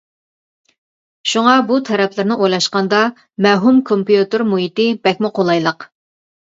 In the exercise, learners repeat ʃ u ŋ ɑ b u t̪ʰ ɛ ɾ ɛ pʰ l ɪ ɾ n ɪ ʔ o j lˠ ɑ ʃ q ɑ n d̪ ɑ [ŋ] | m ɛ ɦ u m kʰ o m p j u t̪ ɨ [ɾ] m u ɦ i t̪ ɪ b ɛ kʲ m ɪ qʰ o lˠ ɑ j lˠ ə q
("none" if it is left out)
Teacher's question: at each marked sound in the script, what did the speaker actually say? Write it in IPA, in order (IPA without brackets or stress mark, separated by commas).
none, ɾ